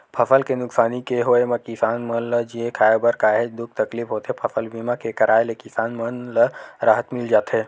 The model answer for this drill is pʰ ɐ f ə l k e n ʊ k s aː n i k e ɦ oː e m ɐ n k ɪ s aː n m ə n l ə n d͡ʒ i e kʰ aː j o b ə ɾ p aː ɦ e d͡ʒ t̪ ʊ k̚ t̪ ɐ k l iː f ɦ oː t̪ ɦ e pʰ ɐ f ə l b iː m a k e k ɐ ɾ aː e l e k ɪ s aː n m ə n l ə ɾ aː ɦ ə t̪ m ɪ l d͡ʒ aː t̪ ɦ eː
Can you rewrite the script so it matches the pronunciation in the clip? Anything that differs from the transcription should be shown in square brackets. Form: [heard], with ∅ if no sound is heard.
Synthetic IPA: pʰ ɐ f ə l k e n ʊ k s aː n i k e ɦ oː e m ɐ [∅] k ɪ s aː n m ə n l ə [∅] d͡ʒ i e kʰ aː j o b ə ɾ [k] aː ɦ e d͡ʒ [d̪] ʊ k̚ t̪ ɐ k l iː f ɦ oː t̪ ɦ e pʰ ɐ f ə l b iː m a k e k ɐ ɾ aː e l e k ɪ s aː n m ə n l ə ɾ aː ɦ ə t̪ m ɪ l d͡ʒ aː t̪ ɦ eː

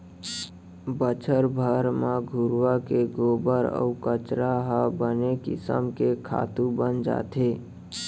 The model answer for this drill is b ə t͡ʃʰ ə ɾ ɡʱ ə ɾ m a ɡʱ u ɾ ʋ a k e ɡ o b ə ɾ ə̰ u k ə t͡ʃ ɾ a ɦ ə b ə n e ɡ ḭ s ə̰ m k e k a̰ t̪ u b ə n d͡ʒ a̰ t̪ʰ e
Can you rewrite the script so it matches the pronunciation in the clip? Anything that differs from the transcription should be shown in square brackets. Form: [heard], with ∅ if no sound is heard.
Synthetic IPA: b ə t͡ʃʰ ə ɾ [bʱ] ə ɾ m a ɡʱ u ɾ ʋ a k e ɡ o b ə ɾ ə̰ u k ə t͡ʃ ɾ a ɦ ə b ə n e [k] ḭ s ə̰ m k e [kʰ] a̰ t̪ u b ə n d͡ʒ a̰ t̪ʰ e

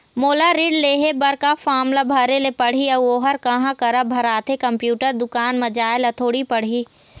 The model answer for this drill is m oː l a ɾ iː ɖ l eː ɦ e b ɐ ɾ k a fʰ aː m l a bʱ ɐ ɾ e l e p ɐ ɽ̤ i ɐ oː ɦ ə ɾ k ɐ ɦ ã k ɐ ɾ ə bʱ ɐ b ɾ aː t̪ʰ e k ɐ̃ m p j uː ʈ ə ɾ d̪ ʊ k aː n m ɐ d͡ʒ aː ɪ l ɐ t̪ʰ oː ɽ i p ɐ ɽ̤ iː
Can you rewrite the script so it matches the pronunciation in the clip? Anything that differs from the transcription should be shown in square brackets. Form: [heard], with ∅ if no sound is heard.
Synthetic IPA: m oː l a ɾ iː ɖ l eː ɦ e b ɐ ɾ k a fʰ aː m l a bʱ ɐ ɾ e l e p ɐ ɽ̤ i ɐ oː ɦ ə ɾ k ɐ ɦ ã k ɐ ɾ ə bʱ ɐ [∅] ɾ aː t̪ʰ e k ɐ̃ m p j uː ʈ ə ɾ d̪ ʊ k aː n m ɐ d͡ʒ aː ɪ l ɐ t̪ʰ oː ɽ i p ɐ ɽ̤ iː

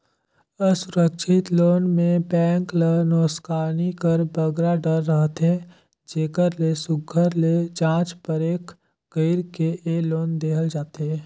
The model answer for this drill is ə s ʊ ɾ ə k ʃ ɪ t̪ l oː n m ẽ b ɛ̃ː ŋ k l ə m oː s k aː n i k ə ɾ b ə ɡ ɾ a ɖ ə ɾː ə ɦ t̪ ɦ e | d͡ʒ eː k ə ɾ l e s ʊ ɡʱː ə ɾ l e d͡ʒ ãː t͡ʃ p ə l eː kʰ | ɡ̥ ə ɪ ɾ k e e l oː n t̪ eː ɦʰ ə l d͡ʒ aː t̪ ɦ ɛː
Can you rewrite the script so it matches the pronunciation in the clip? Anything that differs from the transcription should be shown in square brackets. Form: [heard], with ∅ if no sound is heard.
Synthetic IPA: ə s ʊ ɾ ə k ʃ ɪ t̪ l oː n m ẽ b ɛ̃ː ŋ k l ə [n] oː s k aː n i k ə ɾ b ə ɡ ɾ a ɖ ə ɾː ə ɦ t̪ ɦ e | d͡ʒ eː k ə ɾ l e s ʊ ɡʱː ə ɾ l e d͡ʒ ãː t͡ʃ p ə [ɾ] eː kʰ | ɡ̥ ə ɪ ɾ k e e l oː n [d̪] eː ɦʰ ə l d͡ʒ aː t̪ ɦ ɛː

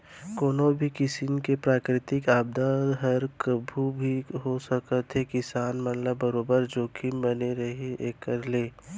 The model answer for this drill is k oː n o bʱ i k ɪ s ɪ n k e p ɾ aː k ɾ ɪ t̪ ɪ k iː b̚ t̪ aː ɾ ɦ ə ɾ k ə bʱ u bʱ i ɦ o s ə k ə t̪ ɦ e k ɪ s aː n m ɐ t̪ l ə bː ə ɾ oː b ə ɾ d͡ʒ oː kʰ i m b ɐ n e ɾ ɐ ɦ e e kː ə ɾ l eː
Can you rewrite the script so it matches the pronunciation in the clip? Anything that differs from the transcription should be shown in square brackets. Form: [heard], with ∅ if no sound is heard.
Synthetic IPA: k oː n o bʱ i k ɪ s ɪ n k e p ɾ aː k ɾ ɪ t̪ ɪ k [aː] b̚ [d̪] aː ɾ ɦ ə ɾ k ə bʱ u bʱ i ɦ o s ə k ə t̪ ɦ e k ɪ s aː n m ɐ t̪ l ə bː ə ɾ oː b ə ɾ d͡ʒ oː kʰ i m b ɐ n e ɾ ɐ ɦ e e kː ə ɾ l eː

